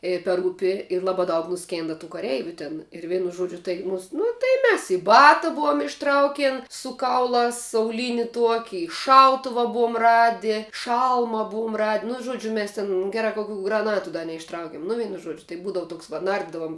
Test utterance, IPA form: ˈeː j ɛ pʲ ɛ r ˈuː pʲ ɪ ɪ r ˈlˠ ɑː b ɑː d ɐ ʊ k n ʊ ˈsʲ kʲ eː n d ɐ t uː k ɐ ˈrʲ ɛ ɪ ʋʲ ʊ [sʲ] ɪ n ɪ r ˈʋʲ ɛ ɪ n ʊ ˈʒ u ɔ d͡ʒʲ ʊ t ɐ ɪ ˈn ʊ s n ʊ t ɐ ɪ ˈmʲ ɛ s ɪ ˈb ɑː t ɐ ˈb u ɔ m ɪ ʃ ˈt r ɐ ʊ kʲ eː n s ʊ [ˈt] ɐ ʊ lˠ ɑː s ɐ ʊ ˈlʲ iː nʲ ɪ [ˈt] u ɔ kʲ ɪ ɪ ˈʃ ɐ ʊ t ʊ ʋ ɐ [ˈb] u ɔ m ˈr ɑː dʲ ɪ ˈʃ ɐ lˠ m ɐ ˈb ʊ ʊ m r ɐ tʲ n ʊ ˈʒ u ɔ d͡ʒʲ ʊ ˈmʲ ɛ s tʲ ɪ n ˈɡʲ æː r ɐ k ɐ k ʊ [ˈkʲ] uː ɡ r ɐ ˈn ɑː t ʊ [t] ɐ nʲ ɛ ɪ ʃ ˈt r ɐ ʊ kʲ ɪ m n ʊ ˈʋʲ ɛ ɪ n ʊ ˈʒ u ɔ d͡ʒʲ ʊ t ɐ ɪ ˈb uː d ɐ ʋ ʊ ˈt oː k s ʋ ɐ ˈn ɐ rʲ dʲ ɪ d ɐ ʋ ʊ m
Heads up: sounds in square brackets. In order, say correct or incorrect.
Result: incorrect: tʲ, incorrect: k, correct, correct, correct, incorrect: d

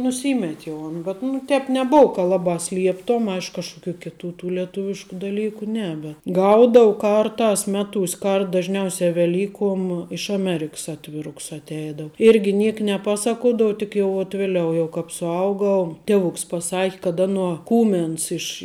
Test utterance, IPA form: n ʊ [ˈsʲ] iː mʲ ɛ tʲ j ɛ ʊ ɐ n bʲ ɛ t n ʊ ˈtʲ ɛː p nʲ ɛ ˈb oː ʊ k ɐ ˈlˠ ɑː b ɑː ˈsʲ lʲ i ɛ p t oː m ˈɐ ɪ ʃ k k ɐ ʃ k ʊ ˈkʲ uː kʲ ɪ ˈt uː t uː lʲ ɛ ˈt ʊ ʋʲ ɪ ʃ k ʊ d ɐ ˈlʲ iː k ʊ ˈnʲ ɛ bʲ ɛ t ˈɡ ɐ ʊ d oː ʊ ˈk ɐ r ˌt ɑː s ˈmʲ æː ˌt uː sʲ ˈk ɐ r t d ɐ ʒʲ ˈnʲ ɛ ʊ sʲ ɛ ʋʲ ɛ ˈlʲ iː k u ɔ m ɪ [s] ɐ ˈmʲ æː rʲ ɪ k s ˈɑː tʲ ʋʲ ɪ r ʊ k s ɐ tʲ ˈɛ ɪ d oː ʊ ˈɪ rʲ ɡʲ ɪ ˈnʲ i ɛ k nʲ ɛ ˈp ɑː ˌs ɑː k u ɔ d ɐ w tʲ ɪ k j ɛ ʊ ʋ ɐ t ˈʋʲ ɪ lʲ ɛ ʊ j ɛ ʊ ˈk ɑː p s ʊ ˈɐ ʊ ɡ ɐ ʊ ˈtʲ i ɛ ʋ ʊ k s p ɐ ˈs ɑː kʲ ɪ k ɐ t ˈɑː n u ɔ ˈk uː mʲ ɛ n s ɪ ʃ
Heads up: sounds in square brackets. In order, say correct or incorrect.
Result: correct, incorrect: ʃ

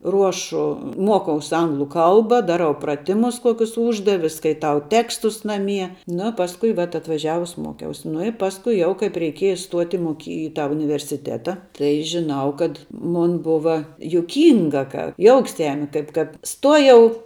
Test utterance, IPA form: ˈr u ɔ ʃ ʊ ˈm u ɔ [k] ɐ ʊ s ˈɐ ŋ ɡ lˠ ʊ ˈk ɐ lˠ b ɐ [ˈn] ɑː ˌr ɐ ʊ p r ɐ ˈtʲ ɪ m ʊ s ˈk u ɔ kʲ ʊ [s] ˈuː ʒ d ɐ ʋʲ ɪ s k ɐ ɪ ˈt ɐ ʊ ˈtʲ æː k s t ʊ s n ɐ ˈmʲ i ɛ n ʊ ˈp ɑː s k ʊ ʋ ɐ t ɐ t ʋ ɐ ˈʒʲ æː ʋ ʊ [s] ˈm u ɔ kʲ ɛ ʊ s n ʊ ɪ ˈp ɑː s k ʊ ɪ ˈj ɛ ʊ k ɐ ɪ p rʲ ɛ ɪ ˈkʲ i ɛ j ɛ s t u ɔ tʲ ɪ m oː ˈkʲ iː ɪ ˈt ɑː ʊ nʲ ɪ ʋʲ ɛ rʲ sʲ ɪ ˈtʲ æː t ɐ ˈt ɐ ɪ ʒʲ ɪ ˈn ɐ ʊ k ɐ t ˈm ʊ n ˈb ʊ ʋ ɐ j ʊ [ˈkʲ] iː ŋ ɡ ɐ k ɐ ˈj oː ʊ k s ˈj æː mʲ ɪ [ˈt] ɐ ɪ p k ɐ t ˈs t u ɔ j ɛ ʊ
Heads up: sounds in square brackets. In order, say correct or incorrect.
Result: correct, incorrect: d, correct, correct, correct, incorrect: k

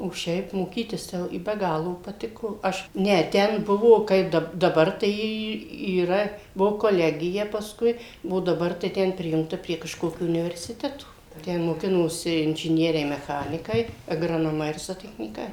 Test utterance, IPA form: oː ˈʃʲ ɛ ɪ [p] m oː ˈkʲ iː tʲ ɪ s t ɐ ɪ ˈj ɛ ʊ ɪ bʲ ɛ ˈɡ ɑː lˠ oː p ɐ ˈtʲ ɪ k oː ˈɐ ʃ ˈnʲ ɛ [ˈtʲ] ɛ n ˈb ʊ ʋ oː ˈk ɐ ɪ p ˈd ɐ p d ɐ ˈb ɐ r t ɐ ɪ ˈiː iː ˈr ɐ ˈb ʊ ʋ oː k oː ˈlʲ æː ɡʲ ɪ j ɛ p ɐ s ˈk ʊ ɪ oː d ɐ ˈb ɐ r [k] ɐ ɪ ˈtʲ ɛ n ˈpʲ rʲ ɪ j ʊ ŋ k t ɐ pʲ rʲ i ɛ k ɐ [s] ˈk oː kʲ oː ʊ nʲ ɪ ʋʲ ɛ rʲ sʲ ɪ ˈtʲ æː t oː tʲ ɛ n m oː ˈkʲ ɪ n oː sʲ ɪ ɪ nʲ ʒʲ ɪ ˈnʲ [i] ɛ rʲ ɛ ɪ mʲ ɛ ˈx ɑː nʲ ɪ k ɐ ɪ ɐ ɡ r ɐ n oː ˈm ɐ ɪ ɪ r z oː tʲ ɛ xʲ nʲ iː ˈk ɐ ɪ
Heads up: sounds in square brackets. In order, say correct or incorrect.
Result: correct, correct, incorrect: t, incorrect: ʃ, correct

